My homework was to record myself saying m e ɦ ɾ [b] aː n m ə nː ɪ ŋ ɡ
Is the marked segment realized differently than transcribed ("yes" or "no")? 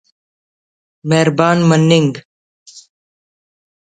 no